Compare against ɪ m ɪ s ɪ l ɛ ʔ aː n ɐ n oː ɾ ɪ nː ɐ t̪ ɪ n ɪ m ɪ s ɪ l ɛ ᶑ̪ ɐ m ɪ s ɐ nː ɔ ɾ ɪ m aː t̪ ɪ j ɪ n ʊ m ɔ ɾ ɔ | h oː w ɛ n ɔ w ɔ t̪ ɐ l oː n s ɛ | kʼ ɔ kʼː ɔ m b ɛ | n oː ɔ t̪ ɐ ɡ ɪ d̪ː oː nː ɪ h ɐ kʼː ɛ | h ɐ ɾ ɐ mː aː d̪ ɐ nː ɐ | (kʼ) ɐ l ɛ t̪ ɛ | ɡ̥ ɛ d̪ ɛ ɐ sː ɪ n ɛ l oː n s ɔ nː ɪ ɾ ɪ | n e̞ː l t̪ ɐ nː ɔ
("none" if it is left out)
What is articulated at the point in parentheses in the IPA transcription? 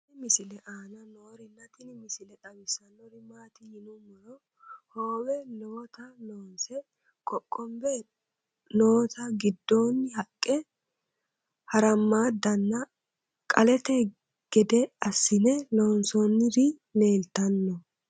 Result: kʼ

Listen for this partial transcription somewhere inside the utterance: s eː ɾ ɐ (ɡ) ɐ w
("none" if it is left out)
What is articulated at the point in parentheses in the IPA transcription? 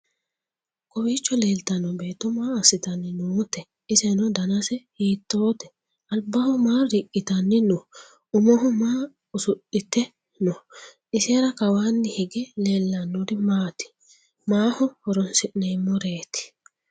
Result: k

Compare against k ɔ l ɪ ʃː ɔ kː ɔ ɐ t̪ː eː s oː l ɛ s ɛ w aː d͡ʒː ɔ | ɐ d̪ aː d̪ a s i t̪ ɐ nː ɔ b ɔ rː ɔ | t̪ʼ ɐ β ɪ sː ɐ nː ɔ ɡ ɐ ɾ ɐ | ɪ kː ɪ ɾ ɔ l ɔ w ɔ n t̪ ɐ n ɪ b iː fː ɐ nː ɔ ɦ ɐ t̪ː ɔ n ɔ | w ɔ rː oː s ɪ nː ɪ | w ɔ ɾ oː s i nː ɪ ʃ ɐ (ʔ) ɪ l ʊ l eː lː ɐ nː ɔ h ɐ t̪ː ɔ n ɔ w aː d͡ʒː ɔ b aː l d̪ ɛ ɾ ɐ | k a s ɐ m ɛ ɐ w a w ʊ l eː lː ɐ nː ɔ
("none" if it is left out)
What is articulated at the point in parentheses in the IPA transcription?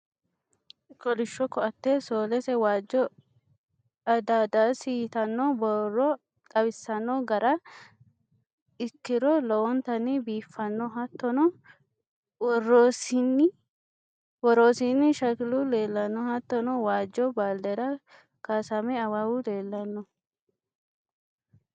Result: k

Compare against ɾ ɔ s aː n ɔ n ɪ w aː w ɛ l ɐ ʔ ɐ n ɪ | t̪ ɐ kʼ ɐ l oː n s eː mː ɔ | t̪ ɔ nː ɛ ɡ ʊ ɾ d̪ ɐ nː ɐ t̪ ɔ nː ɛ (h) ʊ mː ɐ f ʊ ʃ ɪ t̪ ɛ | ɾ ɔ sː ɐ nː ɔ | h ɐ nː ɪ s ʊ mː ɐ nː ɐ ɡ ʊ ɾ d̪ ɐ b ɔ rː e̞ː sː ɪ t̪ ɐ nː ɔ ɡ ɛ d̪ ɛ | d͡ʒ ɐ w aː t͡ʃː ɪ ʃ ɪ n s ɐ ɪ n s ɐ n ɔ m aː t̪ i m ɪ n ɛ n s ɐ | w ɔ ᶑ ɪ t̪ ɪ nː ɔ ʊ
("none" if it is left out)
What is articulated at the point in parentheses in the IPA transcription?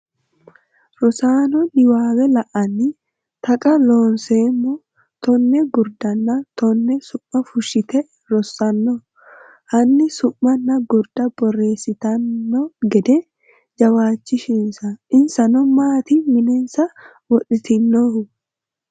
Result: s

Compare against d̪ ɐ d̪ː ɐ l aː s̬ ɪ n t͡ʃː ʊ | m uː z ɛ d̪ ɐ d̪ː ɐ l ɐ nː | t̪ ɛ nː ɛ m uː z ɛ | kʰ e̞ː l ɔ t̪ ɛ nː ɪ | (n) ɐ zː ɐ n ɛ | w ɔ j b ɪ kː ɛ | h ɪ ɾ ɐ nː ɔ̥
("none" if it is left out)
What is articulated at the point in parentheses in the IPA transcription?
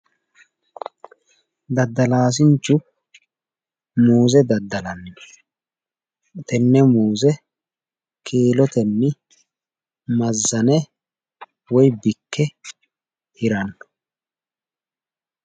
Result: m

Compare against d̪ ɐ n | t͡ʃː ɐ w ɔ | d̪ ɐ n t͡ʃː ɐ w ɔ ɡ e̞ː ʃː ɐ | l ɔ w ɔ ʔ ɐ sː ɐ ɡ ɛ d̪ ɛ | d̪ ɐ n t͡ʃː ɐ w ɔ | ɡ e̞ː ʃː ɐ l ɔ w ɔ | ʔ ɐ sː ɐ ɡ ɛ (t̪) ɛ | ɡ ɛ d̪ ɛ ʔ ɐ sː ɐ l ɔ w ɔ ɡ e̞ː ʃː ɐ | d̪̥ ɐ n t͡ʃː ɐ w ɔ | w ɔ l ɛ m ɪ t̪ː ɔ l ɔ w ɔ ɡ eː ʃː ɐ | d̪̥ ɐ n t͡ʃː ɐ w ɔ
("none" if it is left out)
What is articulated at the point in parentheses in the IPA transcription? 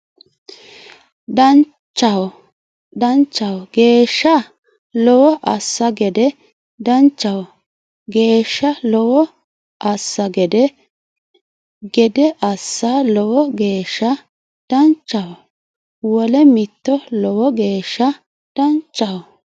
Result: d̪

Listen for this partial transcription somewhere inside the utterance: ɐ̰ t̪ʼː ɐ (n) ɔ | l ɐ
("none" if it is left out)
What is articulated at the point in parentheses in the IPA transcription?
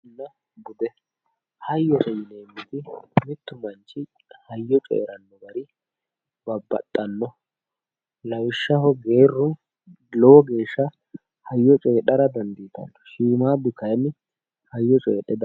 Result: nː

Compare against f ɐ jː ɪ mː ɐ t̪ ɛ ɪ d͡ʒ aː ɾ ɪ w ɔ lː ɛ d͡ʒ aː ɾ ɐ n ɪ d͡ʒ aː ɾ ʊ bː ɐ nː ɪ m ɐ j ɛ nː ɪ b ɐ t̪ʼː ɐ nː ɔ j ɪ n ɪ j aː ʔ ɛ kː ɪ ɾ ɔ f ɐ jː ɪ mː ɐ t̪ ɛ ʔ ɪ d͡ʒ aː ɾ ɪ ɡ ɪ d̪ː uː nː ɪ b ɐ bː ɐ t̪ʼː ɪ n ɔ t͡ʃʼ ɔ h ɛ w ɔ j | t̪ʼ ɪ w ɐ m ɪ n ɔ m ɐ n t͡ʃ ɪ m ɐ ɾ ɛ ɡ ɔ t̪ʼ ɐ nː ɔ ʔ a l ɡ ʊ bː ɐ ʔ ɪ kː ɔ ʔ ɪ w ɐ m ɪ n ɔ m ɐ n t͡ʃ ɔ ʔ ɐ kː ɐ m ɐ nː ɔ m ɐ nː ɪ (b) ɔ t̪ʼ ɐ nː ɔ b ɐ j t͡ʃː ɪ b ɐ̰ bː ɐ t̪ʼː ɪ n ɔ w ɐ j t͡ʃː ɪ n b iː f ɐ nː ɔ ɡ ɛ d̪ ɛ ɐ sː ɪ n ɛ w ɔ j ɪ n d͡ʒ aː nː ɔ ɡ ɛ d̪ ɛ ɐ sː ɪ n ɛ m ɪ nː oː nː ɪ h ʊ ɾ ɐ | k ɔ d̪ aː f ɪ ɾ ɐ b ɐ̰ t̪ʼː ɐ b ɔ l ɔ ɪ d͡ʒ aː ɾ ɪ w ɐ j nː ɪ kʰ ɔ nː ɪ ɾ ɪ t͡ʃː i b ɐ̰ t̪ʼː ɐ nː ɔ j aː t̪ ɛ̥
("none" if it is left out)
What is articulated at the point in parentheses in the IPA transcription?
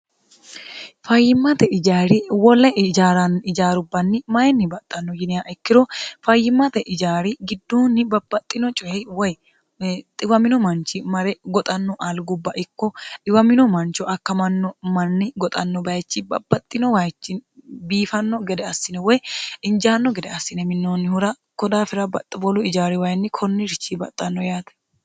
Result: ɡ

